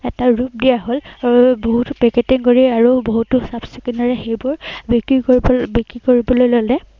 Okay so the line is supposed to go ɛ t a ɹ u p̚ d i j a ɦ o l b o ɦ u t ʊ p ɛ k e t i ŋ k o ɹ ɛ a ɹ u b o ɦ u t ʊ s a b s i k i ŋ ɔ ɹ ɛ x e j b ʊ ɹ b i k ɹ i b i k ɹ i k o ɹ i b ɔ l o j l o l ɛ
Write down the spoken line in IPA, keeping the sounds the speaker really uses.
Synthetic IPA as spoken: ɛ t a ɹ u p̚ d i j a ɦ o l b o ɦ u t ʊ p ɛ k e t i ŋ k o ɹ i a ɹ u b o ɦ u t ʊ s a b s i k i n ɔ ɹ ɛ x e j b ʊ ɹ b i k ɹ i b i k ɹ i k o ɹ i b ɔ l o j l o l ɛ